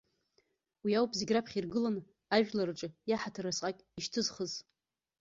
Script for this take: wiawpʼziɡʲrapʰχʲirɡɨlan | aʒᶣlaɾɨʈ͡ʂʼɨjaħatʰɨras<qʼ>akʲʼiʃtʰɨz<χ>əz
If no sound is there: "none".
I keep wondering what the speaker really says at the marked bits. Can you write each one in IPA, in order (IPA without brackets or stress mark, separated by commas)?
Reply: qʼ, χ